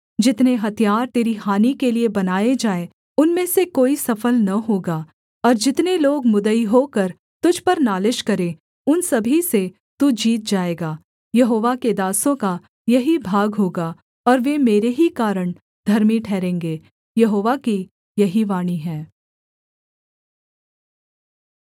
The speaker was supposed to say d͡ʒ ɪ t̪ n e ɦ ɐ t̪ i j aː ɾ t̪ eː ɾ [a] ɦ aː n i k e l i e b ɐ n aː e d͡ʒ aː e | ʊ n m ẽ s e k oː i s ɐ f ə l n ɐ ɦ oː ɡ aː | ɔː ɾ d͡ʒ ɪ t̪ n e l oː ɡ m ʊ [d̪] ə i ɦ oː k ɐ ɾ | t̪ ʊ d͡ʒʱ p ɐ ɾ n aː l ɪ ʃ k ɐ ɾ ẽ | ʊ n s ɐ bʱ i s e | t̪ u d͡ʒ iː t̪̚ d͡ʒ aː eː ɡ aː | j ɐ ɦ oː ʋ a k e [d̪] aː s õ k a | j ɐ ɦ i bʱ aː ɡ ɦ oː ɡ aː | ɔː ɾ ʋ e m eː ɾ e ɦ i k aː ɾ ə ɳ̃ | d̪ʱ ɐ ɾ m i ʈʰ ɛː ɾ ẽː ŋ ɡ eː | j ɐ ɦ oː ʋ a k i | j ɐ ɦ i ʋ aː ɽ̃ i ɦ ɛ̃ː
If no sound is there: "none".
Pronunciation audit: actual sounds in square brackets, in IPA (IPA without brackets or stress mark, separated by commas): i, d̪, d̪